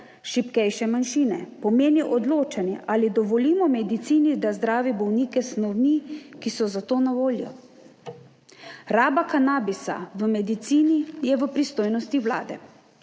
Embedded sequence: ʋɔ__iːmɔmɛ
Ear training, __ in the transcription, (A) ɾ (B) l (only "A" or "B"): B